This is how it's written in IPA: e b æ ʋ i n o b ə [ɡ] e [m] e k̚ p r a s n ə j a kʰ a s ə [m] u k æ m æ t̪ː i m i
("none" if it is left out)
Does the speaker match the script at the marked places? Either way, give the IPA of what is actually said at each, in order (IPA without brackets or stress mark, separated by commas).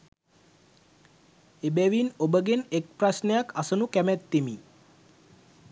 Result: ɡ, n, n